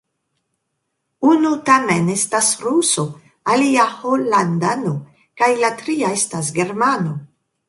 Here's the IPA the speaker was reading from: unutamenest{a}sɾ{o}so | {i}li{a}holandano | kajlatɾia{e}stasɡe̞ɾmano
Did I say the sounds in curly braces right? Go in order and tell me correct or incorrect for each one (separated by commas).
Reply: correct, incorrect, incorrect, correct, correct